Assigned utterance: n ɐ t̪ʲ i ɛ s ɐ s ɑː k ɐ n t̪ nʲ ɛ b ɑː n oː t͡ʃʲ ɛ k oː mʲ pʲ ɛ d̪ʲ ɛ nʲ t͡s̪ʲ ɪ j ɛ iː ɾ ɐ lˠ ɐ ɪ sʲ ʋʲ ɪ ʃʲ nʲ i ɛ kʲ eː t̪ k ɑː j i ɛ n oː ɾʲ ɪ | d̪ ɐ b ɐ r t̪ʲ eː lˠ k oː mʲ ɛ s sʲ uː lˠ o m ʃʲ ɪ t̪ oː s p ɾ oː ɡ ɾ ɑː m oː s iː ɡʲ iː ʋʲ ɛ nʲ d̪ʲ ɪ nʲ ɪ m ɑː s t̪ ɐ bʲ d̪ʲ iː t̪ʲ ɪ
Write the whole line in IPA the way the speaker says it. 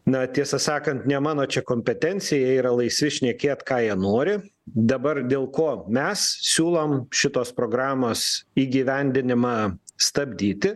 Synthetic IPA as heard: n ɐ t̪ʲ i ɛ s ɐ s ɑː k ɐ n t̪ nʲ ɛ m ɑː n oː t͡ʃʲ ɛ k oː mʲ pʲ ɛ t̪ʲ ɛ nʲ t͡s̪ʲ ɪ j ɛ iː ɾ ɐ lˠ ɐ ɪ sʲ ʋʲ ɪ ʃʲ nʲ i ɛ kʲ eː t̪ k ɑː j i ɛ n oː ɾʲ ɪ | d̪ ɐ b ɐ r d̪ʲ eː lˠ k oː mʲ ɛ s sʲ uː lˠ o m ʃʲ ɪ t̪ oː s p ɾ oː ɡ ɾ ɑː m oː s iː ɡʲ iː ʋʲ ɛ nʲ d̪ʲ ɪ nʲ ɪ m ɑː s t̪ ɐ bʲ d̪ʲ iː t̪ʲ ɪ